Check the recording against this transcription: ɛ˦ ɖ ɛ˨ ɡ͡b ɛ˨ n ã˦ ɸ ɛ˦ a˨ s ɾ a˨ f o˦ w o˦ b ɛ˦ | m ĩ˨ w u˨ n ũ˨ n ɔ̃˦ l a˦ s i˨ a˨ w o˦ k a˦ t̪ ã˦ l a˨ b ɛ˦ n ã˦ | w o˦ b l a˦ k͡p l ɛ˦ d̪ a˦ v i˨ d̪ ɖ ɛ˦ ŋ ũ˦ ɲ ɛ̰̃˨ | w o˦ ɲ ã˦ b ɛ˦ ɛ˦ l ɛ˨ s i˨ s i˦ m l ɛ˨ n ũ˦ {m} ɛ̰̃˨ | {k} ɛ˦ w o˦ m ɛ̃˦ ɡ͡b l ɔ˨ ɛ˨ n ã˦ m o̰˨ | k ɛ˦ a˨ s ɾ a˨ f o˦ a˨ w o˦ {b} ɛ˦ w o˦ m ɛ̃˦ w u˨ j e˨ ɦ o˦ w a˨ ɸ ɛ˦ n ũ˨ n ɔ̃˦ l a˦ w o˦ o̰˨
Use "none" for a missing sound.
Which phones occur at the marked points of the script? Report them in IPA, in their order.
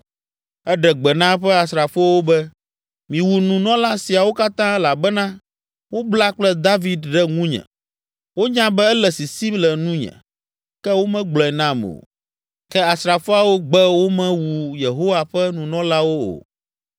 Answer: ɲ, k, ɡ͡b

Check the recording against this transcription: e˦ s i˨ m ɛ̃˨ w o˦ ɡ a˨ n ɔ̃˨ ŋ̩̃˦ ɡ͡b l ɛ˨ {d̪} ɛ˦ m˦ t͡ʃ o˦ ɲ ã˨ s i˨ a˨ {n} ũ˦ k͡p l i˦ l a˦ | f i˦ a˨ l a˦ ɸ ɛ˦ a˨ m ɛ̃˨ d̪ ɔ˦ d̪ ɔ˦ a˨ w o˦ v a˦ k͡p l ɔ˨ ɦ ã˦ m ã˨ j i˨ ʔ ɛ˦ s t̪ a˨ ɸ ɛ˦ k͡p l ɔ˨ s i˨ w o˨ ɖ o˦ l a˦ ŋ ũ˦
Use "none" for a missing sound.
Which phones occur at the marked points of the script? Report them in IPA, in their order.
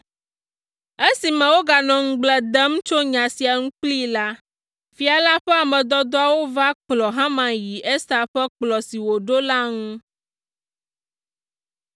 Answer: d̪, ŋ

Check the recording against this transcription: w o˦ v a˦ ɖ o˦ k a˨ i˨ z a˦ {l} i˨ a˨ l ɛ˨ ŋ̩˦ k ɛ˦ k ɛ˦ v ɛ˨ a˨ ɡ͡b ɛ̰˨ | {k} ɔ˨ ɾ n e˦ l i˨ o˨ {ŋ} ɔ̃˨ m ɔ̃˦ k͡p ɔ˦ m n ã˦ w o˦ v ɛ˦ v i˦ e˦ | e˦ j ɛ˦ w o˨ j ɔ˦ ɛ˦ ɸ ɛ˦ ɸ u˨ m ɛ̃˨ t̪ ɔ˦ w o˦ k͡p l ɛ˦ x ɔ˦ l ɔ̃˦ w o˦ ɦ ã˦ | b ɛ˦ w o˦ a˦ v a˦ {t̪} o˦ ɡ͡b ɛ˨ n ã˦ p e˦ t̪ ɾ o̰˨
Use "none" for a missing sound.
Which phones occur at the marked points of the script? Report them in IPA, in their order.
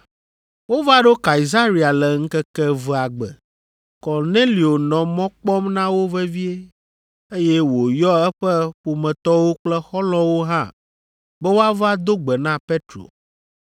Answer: ɾ, k, n, d̪

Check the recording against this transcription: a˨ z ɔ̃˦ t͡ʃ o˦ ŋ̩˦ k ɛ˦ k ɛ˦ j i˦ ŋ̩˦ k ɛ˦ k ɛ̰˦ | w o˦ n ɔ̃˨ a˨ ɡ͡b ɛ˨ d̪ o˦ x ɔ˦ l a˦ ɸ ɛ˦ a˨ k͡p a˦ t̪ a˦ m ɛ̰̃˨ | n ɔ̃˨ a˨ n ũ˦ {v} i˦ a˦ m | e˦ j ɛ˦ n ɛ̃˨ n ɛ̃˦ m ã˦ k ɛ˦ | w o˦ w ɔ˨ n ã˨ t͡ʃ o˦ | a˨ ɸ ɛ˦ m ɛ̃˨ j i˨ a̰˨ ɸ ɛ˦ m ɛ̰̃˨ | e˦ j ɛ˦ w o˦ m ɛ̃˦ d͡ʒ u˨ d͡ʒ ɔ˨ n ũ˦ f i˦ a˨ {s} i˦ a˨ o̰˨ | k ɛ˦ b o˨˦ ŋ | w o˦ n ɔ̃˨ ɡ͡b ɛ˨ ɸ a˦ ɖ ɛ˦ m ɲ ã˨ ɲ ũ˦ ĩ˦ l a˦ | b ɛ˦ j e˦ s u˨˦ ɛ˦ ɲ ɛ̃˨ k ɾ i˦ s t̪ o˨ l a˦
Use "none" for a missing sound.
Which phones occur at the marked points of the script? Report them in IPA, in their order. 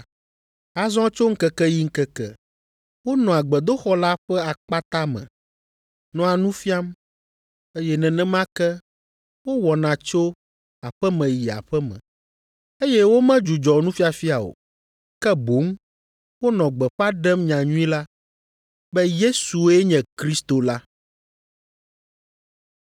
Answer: f, f

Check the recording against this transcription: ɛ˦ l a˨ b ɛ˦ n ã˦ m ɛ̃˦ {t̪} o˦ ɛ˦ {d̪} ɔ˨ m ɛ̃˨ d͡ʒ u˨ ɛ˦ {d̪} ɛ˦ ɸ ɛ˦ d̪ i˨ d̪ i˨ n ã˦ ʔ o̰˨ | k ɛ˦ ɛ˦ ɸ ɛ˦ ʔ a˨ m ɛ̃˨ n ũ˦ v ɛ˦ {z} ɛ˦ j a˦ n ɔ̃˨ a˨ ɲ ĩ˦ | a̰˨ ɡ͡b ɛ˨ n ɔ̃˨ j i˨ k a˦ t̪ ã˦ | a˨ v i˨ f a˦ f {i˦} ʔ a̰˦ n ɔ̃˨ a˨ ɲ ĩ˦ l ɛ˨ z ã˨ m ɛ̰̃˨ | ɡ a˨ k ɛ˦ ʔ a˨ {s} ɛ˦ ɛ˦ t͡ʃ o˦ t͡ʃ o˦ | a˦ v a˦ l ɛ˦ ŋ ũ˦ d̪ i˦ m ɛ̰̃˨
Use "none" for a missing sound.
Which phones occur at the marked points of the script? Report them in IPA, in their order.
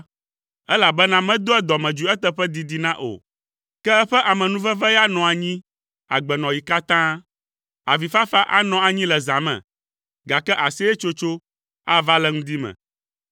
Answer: d̪, d̪, t̪, v, a˦, s

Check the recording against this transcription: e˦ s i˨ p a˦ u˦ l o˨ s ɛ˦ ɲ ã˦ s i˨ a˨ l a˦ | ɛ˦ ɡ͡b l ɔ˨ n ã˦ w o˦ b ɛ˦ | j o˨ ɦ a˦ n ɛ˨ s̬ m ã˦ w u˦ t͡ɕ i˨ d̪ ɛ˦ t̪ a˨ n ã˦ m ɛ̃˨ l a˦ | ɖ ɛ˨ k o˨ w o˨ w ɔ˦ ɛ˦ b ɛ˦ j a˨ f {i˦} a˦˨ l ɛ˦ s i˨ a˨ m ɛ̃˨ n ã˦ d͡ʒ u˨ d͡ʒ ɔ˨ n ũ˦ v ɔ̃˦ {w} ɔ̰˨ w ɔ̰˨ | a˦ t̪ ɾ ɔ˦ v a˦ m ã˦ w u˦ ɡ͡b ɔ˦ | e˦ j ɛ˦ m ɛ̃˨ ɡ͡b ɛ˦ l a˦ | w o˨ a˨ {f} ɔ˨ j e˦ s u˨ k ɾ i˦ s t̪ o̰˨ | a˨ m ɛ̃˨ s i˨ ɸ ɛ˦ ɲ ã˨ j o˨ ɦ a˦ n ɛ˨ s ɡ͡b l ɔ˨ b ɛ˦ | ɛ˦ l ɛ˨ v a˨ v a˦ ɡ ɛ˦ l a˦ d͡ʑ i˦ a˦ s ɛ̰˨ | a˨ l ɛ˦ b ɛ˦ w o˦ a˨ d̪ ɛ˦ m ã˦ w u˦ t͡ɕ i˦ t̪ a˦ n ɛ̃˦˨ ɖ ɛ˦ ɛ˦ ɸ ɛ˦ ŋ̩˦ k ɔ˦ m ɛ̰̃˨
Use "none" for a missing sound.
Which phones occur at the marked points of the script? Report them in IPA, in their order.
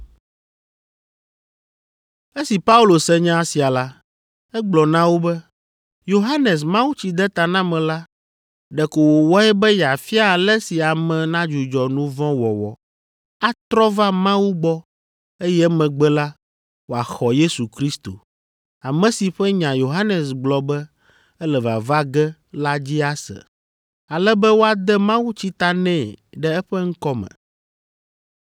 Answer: i˦, w, x

